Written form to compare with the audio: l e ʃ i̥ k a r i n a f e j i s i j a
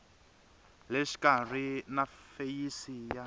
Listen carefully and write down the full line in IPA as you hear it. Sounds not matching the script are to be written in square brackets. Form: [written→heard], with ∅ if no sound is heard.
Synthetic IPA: l e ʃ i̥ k a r i n a f e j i s i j a